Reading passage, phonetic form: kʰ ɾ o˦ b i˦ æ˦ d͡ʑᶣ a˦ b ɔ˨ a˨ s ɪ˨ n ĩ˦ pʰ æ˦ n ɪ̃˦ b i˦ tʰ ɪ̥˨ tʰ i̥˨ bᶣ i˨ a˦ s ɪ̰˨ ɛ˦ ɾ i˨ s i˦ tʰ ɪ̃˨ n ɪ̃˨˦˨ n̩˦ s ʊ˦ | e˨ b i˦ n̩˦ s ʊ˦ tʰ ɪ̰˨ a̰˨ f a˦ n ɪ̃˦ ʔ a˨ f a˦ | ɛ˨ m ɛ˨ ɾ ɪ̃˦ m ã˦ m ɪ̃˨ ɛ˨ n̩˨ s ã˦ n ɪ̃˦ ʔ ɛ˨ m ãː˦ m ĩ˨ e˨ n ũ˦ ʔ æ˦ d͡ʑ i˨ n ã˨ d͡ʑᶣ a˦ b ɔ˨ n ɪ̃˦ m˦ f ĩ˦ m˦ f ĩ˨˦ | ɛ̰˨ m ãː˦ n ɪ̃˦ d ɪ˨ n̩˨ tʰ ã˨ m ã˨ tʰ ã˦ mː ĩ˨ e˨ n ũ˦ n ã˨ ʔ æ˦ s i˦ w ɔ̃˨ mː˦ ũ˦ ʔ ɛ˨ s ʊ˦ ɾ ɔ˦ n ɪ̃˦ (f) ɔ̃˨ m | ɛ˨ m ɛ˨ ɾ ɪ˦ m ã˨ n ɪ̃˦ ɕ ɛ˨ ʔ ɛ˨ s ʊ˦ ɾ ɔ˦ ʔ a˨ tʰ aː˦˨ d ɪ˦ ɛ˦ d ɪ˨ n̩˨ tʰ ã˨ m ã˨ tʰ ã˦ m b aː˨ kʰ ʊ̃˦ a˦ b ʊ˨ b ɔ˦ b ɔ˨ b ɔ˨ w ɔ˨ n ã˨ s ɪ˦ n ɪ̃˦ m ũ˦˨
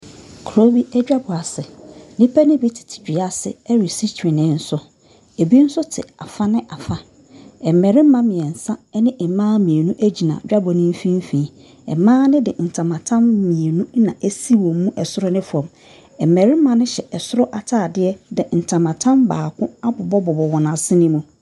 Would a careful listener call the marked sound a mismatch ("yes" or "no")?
no